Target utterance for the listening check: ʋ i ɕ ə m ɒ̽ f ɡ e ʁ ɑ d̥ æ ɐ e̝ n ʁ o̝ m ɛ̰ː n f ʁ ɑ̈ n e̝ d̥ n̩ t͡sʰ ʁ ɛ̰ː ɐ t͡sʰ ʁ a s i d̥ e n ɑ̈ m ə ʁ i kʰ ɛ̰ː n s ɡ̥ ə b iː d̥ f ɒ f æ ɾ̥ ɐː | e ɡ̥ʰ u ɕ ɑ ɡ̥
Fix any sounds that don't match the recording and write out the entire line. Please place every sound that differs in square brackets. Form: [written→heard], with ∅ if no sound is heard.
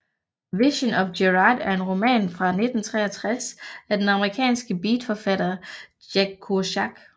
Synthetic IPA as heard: ʋ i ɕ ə [m→n] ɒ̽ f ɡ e ʁ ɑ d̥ æ ɐ e̝ n ʁ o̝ m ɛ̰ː n f ʁ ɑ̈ n e̝ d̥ n̩ t͡sʰ ʁ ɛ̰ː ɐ t͡sʰ ʁ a s [i→æ] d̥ e n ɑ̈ m ə ʁ i kʰ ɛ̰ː n s ɡ̥ ə b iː d̥ f ɒ f æ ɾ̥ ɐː | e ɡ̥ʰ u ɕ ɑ ɡ̥